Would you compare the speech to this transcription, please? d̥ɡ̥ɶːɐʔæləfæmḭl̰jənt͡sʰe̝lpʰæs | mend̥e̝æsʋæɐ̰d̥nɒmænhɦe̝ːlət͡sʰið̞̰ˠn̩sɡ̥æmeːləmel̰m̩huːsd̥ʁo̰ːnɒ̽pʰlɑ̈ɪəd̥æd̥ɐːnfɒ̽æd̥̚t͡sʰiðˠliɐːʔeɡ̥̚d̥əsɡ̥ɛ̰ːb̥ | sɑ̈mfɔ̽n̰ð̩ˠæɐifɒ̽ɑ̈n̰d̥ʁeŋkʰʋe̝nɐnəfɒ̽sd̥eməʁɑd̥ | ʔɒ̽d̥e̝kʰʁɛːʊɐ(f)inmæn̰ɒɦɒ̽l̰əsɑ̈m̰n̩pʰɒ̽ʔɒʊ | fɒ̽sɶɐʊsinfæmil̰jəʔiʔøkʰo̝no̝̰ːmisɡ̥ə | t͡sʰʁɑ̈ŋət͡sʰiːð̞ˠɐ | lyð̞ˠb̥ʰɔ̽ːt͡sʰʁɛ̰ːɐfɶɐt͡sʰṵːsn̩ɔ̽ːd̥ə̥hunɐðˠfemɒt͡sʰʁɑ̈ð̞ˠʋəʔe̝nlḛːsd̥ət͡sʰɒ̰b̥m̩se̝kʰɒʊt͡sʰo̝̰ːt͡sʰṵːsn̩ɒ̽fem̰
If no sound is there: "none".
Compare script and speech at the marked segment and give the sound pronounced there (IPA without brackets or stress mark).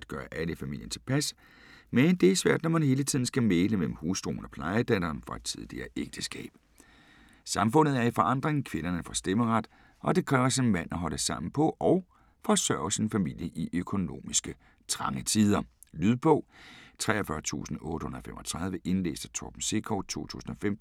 s